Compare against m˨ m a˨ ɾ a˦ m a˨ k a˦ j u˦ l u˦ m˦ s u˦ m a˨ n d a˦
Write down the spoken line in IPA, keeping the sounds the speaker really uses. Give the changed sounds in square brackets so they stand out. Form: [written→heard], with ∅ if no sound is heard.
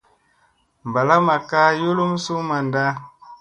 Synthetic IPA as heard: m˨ [m→b] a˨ [ɾ→l] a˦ m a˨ k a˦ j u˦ l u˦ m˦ s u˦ m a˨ n d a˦